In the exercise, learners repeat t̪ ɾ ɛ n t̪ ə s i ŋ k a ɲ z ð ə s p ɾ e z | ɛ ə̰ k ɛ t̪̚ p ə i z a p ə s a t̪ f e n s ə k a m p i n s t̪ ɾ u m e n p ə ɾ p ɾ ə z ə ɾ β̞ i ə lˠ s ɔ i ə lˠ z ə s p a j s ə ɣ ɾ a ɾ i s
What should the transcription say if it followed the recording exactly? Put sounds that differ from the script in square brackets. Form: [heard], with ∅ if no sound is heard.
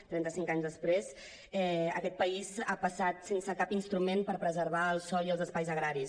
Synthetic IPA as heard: t̪ ɾ ɛ n t̪ ə s i ŋ k a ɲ z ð ə s p ɾ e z | ɛ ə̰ k ɛ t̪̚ p ə i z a p ə s a t̪ [s] e n s ə k a [∅] p i n s t̪ ɾ u m e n p ə ɾ p ɾ ə z ə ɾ β̞ [a] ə lˠ s ɔ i ə lˠ z ə s p a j [z] ə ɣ ɾ a ɾ i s